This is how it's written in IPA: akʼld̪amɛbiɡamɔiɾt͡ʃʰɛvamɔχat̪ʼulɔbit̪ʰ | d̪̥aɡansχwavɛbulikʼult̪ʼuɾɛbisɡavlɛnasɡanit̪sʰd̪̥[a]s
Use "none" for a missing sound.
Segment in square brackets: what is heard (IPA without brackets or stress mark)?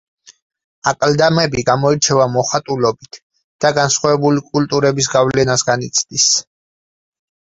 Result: i